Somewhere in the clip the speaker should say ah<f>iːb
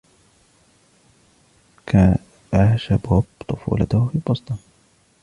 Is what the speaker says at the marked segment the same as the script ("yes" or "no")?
yes